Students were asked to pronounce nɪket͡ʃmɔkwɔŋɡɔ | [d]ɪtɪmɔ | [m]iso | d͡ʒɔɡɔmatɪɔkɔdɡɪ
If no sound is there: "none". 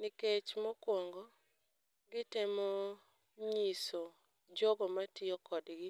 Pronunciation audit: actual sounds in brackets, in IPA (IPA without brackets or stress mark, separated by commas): ɡ, ɲ